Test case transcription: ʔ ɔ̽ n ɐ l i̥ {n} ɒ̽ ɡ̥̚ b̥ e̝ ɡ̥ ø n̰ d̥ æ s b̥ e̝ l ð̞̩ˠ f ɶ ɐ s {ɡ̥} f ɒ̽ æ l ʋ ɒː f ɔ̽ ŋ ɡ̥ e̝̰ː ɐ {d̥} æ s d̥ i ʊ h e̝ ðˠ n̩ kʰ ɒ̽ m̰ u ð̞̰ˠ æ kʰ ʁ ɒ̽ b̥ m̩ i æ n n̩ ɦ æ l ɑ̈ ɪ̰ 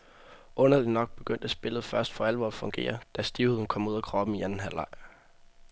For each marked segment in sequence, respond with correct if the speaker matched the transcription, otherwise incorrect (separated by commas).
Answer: correct, incorrect, correct